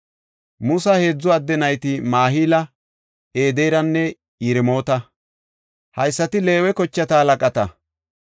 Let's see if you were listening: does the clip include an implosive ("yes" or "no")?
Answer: no